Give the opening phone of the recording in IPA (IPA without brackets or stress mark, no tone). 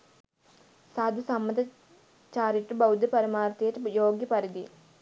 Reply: s